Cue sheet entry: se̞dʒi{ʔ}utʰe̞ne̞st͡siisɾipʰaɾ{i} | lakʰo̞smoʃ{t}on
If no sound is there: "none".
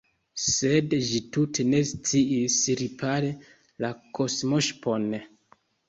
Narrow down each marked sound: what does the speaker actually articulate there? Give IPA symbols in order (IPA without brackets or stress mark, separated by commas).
t, e, p